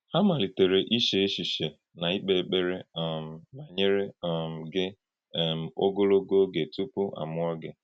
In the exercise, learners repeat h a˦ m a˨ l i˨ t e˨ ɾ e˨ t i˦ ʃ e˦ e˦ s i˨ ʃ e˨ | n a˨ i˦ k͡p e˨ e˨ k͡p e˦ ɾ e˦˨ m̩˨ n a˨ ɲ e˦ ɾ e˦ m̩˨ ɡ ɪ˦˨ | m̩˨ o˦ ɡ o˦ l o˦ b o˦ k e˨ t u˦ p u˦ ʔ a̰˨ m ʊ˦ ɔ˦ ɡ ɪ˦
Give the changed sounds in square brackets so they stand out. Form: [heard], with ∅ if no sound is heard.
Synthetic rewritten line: h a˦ m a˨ l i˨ t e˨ ɾ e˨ [ʔ] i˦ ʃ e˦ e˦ [ʃ] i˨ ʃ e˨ | n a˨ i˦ k͡p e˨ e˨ k͡p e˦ ɾ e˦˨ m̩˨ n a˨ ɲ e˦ ɾ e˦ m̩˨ ɡ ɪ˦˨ | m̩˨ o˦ ɡ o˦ l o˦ [ɡ] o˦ [ɡ] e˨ t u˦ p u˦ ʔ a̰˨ m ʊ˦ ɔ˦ ɡ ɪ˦

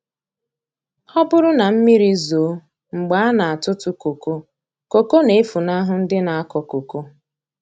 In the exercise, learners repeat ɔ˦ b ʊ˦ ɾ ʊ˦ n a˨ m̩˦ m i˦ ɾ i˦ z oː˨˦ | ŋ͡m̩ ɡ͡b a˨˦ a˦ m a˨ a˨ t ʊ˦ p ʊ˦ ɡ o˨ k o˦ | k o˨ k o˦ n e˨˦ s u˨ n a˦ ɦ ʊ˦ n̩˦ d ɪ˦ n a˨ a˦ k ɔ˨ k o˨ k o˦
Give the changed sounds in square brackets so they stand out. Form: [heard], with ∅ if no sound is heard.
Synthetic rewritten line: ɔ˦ b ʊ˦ ɾ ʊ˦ n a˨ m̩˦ m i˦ ɾ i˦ z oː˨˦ | ŋ͡m̩ ɡ͡b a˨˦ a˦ [n] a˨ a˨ t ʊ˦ [t] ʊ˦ [k] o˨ k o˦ | k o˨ k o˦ n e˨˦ [f] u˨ n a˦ ɦ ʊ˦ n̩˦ d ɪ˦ n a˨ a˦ k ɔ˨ k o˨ k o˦

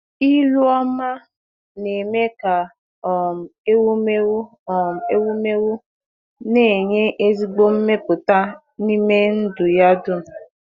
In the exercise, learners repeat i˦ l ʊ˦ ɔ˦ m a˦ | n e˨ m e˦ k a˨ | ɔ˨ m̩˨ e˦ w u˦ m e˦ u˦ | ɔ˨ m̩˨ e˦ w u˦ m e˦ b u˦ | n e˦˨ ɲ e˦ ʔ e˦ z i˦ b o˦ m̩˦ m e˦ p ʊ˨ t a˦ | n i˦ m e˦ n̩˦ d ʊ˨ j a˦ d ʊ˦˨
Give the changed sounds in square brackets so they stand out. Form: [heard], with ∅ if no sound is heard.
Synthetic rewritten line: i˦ l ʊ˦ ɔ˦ m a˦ | n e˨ m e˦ k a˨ | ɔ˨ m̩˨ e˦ w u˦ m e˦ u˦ | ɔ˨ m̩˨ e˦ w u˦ m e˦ [w] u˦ | n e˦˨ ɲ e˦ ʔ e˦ z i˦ [ɡ͡b] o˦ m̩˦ m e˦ p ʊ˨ t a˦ | n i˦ m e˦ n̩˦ d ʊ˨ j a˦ d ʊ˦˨

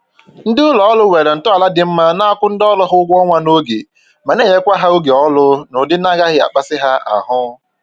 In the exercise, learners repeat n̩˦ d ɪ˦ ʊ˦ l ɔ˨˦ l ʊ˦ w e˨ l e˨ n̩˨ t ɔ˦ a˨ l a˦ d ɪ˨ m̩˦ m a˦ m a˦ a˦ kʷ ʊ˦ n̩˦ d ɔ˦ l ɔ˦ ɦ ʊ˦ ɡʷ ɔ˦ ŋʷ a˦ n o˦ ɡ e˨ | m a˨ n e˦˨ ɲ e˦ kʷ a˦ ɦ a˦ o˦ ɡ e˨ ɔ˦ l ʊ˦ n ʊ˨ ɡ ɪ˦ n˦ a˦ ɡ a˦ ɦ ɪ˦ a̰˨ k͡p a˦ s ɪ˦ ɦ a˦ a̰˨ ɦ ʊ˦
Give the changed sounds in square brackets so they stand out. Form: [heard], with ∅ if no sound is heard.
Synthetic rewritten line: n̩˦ d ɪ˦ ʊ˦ l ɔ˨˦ l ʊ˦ w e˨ [ɾ] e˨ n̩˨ t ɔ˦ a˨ l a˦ d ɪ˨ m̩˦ m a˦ [n] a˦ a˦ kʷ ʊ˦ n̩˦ d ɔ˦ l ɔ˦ ɦ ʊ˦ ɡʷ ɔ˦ ŋʷ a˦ n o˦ ɡ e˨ | m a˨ n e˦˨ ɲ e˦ kʷ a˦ ɦ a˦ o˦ ɡ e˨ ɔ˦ l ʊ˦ n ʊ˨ [d] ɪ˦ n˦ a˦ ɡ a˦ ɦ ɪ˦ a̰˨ k͡p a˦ s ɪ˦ ɦ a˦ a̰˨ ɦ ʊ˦

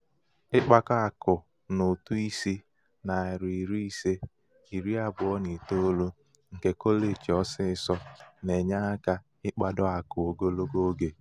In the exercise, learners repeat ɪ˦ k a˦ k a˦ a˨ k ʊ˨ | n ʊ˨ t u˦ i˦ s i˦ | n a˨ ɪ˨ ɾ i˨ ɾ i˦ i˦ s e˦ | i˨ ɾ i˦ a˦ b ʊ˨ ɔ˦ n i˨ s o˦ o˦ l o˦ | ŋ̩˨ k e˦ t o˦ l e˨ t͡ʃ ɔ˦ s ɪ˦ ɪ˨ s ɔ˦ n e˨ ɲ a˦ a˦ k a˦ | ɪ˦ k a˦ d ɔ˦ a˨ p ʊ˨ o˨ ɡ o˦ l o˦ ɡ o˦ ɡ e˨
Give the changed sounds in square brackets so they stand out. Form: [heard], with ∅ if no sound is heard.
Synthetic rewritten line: ɪ˦ [k͡p] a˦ k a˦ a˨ k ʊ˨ | n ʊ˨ t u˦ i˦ s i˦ | n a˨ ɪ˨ ɾ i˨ ɾ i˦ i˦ s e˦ | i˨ ɾ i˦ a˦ b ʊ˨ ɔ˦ n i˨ [t] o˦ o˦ l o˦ | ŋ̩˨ k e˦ [k] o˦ l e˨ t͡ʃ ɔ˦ s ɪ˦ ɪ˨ s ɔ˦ n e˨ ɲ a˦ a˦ k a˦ | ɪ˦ [k͡p] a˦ d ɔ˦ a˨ [k] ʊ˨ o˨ ɡ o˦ l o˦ ɡ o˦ ɡ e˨

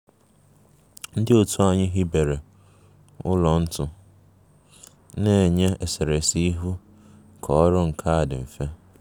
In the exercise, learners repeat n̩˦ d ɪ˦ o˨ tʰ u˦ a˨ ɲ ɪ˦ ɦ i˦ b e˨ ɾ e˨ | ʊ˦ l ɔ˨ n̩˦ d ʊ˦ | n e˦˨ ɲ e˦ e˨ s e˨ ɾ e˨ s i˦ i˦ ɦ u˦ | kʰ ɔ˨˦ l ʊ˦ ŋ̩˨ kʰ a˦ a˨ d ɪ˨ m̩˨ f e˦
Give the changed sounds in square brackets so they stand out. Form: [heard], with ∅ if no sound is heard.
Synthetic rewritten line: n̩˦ d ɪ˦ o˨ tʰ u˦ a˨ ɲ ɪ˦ ɦ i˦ b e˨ ɾ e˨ | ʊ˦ l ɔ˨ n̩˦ [t] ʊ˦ | n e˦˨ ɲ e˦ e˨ s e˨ ɾ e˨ s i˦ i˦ ɦ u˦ | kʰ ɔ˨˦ [ɾ] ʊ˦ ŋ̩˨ kʰ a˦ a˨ d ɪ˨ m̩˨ f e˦

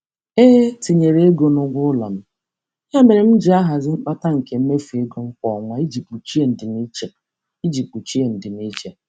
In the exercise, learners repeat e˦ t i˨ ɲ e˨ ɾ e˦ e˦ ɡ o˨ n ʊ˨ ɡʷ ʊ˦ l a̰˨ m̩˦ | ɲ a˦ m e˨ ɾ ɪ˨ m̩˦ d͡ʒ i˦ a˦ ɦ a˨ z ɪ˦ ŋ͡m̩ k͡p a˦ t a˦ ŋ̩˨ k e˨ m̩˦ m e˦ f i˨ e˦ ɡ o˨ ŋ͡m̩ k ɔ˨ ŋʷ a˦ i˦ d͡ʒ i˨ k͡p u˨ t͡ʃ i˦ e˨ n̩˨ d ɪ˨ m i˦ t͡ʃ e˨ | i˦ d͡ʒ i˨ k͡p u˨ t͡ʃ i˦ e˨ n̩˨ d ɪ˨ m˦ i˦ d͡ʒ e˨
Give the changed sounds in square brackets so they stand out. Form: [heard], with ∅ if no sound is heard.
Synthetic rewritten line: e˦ t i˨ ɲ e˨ ɾ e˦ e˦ ɡ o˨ n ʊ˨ ɡʷ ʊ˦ l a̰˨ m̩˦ | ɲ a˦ m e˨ ɾ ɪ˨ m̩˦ d͡ʒ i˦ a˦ ɦ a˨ z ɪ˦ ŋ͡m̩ k͡p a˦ t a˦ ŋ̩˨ k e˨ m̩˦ m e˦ f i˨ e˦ ɡ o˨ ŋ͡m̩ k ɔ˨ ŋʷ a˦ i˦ d͡ʒ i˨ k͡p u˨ t͡ʃ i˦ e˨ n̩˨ d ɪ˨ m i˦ t͡ʃ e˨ | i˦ d͡ʒ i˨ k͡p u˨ t͡ʃ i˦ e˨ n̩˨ d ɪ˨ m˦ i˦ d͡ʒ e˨

